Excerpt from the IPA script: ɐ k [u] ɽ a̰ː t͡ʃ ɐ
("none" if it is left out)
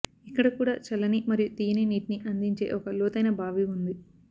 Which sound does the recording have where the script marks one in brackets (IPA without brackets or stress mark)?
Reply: uː